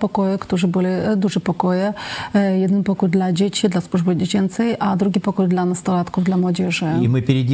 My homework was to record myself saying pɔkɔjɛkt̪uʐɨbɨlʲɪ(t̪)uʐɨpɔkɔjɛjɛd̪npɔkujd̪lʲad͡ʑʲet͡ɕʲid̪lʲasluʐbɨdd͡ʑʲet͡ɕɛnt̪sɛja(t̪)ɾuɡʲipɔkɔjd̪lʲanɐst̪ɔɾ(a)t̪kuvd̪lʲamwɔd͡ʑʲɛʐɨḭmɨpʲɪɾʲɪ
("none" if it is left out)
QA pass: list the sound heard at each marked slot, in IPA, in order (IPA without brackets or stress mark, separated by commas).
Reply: d̪, d̪, a